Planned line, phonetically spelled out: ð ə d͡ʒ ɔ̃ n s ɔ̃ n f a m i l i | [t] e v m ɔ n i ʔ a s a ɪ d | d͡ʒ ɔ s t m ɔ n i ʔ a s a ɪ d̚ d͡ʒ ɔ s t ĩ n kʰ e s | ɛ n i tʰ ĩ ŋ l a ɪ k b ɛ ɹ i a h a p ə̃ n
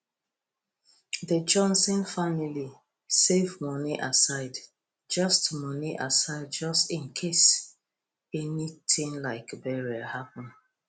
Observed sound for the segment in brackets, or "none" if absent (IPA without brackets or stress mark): s